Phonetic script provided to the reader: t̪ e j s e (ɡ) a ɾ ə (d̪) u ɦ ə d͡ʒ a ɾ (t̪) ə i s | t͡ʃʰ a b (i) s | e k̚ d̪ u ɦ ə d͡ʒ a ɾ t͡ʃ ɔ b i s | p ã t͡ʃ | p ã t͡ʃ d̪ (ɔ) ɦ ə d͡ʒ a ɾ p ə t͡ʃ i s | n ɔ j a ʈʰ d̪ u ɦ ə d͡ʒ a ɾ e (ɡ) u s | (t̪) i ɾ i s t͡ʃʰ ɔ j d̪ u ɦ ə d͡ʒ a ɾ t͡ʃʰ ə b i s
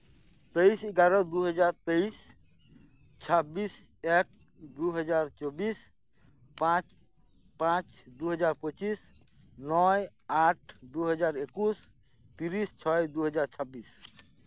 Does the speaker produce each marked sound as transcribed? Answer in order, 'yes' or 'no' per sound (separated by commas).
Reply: yes, yes, yes, yes, no, no, yes